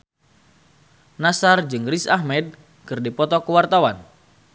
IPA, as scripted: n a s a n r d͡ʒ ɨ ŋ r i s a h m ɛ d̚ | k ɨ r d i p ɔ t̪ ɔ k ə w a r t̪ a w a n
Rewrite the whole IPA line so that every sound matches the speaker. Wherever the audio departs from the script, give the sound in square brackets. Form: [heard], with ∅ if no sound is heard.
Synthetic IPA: n a s a [∅] r d͡ʒ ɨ ŋ r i s a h m ɛ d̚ | k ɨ r d i p ɔ t̪ ɔ k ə w a r t̪ a w a n

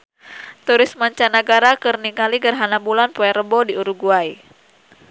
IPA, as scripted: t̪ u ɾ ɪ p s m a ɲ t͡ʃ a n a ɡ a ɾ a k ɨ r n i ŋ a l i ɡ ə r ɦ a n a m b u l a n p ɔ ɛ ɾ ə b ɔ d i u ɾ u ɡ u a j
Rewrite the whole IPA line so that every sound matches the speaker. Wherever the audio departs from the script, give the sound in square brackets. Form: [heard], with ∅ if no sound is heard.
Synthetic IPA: t̪ u ɾ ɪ [∅] s m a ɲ t͡ʃ a n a ɡ a ɾ a k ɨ r n i ŋ a l i ɡ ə r ɦ a n a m b u l a n p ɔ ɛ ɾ ə b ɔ d i u ɾ u ɡ u a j

